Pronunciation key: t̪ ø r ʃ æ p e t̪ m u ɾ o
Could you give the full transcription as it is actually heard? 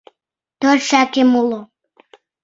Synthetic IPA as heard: t̪ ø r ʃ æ k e m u l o